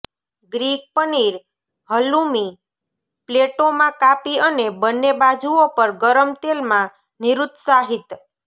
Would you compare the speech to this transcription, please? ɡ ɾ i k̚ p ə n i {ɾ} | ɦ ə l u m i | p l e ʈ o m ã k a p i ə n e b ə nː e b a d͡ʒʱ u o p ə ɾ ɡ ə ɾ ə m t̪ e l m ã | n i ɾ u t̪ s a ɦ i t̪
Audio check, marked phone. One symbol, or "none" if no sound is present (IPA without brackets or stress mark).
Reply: ɾ